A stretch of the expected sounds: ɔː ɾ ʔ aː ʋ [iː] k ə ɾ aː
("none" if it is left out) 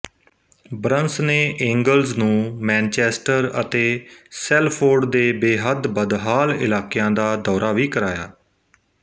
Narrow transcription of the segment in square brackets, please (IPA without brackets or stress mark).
iː